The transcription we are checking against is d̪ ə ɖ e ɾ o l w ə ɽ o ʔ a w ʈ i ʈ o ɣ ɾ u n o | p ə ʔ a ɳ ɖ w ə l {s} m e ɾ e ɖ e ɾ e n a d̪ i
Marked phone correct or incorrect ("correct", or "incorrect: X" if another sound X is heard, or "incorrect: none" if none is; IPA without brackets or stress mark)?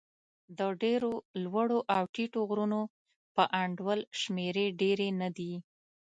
incorrect: ʃ